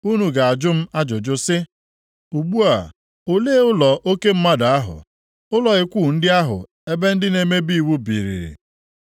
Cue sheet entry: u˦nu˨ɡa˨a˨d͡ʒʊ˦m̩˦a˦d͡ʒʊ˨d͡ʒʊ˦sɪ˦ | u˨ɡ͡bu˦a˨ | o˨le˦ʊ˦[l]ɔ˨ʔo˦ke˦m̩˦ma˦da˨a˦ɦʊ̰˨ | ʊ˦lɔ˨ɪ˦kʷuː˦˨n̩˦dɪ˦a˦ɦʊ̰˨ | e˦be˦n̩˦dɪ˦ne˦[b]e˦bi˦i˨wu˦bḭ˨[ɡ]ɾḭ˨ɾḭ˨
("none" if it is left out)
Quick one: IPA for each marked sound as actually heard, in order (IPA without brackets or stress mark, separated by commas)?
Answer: l, m, none